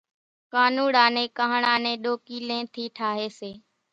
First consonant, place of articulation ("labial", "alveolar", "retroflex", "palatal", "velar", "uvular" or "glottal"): velar